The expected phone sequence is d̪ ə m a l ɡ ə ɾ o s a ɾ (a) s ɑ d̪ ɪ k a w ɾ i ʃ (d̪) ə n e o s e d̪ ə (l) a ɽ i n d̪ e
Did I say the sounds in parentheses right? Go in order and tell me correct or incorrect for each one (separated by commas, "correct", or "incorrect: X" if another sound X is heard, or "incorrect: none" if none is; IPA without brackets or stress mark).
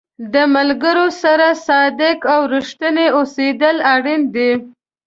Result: correct, incorrect: t̪, correct